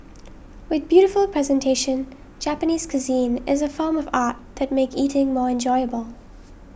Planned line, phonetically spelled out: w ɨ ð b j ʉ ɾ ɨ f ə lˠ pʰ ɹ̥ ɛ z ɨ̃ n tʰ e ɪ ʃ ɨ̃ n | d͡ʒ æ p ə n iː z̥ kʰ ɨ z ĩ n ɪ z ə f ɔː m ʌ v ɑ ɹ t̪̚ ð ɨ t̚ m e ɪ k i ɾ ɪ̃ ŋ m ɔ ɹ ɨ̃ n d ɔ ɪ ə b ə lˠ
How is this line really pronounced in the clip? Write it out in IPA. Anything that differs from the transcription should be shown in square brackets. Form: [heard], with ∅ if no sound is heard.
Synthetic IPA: w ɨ ð b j ʉ ɾ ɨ f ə lˠ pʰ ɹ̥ ɛ z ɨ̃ n tʰ e ɪ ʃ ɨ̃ n | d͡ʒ æ p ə n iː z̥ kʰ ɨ z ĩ n ɪ z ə f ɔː m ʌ v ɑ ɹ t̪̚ ð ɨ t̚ m e ɪ k i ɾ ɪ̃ ŋ m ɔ ɹ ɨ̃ n [d͡ʒ] ɔ ɪ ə b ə lˠ